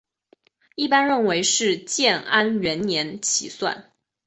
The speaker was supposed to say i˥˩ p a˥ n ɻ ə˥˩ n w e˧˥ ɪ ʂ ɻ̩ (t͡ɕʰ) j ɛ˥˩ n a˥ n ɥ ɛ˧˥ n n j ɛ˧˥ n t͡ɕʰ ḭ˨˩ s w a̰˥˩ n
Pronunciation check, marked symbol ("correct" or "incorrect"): incorrect